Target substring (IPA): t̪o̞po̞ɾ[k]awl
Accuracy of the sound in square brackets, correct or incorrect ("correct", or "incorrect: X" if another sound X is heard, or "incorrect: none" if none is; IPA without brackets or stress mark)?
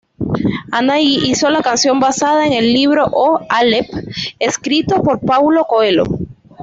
incorrect: p